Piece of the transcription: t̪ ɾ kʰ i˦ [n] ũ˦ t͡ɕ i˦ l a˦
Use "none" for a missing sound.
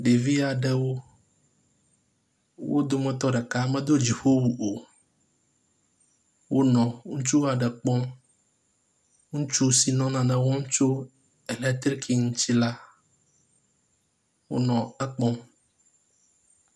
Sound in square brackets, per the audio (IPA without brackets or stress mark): ŋ